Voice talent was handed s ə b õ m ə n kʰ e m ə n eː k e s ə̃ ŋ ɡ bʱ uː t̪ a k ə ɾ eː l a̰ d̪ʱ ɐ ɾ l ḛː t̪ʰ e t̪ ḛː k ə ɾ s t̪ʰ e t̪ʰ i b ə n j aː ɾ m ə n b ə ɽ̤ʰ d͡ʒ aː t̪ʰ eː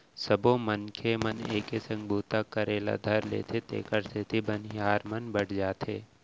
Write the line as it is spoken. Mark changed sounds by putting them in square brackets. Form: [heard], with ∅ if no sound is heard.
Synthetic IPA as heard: s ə b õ m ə n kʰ e m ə n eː k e s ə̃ ŋ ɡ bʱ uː t̪ a k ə ɾ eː l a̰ d̪ʱ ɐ ɾ l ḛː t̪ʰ e t̪ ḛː k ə ɾ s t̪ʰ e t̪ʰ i b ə n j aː ɾ m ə n b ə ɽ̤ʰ d͡ʒ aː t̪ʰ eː